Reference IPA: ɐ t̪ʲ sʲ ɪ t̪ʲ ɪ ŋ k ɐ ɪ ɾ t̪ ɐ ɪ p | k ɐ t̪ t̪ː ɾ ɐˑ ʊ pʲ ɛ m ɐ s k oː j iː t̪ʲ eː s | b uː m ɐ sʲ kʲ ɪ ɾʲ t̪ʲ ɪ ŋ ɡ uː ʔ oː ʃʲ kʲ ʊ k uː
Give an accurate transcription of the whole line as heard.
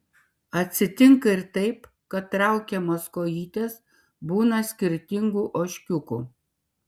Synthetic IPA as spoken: ɐ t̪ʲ sʲ ɪ t̪ʲ ɪ ŋ k ɐ ɪ ɾ t̪ ɐ ɪ p | k ɐ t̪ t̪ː ɾ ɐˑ ʊ kʲ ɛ m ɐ s k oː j iː t̪ʲ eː s | b uː n ɐ sʲ kʲ ɪ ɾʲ t̪ʲ ɪ ŋ ɡ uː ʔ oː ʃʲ kʲ ʊ k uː